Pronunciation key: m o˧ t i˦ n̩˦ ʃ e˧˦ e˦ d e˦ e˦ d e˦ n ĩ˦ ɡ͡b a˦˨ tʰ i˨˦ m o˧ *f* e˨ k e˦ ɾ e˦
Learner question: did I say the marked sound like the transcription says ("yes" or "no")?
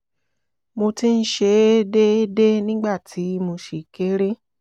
no